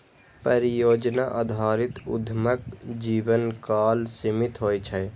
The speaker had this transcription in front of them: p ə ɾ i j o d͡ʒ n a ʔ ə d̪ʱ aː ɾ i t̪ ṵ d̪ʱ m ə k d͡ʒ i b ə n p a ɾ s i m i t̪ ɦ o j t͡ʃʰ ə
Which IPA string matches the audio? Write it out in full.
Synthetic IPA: p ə ɾ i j o d͡ʒ n a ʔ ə d̪ʱ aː ɾ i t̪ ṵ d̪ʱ m ə k d͡ʒ i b ə n k a l s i m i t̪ ɦ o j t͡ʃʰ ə